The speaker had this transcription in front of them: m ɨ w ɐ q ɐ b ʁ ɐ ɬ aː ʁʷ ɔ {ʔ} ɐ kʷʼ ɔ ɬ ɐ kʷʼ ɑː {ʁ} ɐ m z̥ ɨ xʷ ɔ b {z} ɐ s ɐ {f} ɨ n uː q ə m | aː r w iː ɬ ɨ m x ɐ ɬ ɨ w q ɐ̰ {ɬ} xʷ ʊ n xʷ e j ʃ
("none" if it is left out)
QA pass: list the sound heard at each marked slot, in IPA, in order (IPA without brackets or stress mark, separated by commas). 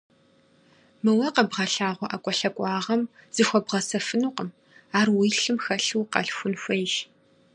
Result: ʔ, ʁ, ʁ, f, ɬ